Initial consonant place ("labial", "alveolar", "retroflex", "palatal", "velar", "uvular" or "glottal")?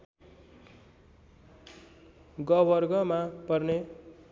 velar